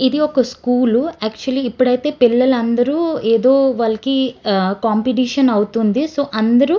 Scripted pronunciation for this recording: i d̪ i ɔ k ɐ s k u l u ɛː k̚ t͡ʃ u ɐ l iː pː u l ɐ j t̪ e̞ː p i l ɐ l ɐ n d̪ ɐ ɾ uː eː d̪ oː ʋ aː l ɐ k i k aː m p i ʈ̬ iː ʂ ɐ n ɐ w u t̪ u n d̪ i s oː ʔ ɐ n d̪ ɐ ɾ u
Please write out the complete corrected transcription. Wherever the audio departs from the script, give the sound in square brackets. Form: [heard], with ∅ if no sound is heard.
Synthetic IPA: i d̪ i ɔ k ɐ s k [uː] l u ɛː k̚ t͡ʃ u ɐ l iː pː u [ɽ] ɐ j t̪ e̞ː p i [lː] ɐ l ɐ n d̪ ɐ ɾ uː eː d̪ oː ʋ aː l ɐ k i k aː m p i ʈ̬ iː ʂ ɐ n ɐ w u t̪ u n d̪ i s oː ʔ ɐ n d̪ ɐ ɾ u

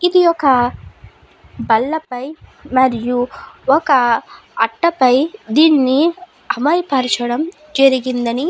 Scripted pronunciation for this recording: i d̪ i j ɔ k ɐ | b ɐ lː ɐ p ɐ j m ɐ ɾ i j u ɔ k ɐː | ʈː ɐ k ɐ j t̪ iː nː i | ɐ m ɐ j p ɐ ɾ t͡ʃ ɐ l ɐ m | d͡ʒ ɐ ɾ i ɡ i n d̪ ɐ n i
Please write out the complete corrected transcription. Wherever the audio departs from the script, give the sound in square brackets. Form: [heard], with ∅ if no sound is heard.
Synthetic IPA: i d̪ i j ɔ k ɐ | b ɐ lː ɐ p ɐ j m ɐ ɾ i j u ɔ k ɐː | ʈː ɐ [p] ɐ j [d̪] iː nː i | ɐ m ɐ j p ɐ ɾ t͡ʃ ɐ [ɽ] ɐ m | d͡ʒ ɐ ɾ i ɡ i n d̪ ɐ n i

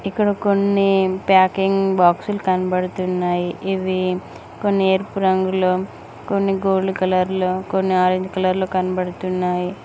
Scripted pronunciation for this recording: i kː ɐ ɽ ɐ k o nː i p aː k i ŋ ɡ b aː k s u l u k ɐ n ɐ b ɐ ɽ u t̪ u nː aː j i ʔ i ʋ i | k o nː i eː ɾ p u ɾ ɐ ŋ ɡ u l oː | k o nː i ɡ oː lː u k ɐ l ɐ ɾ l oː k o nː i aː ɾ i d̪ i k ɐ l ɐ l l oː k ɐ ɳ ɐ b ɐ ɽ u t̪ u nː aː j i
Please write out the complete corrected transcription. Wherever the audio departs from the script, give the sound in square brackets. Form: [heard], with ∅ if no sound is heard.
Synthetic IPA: i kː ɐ ɽ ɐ k o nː i p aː k i ŋ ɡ b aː k s u l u k ɐ n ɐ b ɐ ɽ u t̪ u nː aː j i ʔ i ʋ i | k o nː i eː ɾ p u ɾ ɐ ŋ ɡ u l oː | k o nː i ɡ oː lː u k ɐ l ɐ ɾ l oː k o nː i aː ɾ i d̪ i k ɐ l ɐ [ɾ] l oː k ɐ [n] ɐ b ɐ ɽ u t̪ u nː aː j i

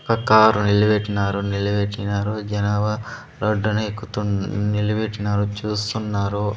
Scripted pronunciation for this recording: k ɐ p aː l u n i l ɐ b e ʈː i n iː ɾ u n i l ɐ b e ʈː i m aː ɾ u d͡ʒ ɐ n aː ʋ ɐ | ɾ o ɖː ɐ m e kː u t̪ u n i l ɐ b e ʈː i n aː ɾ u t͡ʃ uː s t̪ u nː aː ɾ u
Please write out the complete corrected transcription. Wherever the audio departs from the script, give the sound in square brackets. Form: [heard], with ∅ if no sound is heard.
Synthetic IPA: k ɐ [k] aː [ɾ] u n i l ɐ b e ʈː i n [aː] ɾ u n i l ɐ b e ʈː i [n] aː ɾ u d͡ʒ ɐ n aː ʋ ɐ | ɾ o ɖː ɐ [n] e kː u t̪ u n i l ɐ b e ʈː i n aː ɾ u t͡ʃ uː s t̪ u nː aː ɾ u

